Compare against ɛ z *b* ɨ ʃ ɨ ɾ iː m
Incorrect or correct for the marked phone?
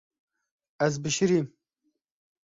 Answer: correct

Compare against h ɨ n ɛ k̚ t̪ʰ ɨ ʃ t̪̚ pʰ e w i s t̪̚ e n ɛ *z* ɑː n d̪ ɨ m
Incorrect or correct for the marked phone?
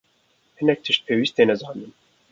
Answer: correct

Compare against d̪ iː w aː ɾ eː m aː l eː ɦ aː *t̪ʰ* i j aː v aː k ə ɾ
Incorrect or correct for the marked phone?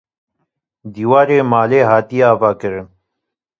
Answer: incorrect: t̪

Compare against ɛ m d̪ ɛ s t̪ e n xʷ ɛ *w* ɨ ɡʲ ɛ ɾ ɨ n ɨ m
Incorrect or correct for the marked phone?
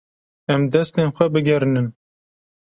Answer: incorrect: b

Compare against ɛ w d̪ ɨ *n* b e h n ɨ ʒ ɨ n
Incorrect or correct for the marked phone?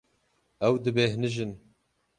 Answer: incorrect: none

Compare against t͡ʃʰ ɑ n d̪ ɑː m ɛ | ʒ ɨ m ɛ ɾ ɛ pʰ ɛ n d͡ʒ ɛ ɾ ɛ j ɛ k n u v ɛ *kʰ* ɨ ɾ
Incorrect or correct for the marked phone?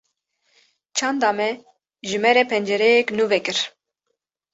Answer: incorrect: k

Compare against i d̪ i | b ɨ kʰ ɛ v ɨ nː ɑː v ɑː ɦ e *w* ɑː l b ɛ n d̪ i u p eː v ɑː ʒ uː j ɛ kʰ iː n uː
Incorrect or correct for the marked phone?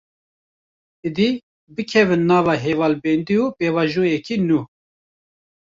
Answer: incorrect: v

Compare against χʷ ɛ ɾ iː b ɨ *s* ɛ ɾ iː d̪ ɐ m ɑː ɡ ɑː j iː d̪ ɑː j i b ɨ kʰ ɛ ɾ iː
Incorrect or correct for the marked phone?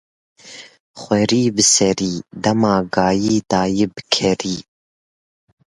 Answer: correct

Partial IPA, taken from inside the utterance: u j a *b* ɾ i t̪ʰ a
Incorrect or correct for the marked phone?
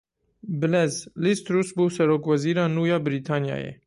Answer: correct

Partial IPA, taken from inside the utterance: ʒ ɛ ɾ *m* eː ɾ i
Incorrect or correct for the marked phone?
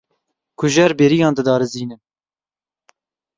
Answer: incorrect: b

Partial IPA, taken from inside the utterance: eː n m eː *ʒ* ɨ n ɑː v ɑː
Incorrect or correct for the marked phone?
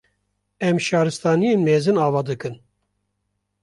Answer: incorrect: z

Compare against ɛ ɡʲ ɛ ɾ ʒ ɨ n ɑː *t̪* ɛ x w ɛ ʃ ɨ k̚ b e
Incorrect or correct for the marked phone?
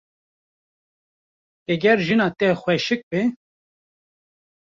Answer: correct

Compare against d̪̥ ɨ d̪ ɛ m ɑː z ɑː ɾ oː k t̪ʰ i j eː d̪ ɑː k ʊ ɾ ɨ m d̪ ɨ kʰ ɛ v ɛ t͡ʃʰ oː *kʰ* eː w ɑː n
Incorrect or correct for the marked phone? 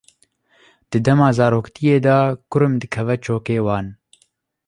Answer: incorrect: k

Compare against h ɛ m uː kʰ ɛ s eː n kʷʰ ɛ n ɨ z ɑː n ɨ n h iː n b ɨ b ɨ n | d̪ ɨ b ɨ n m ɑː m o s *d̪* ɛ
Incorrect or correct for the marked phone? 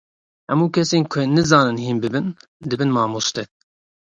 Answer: incorrect: t̪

